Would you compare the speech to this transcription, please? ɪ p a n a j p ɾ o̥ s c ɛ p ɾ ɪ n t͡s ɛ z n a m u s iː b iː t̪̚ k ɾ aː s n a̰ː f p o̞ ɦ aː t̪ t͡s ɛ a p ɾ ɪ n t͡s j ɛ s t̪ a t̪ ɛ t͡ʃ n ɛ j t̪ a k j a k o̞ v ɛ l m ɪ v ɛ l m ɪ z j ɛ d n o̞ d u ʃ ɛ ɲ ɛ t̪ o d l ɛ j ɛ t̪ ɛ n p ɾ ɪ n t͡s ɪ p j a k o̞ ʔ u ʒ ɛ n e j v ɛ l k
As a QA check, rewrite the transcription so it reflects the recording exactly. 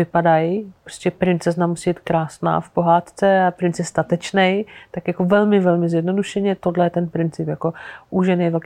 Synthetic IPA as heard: ɪ p a d a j p ɾ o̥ s c ɛ p ɾ ɪ n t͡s ɛ z n a m u s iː b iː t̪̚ k ɾ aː s n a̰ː f p o̞ ɦ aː t̪ t͡s ɛ a p ɾ ɪ n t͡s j ɛ s t̪ a t̪ ɛ t͡ʃ n ɛ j t̪ a k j a k o̞ v ɛ l m ɪ v ɛ l m ɪ z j ɛ d n o̞ d u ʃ ɛ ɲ ɛ t̪ o d l ɛ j ɛ t̪ ɛ n p ɾ ɪ n t͡s ɪ p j a k o̞ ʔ u ʒ ɛ n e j v ɛ l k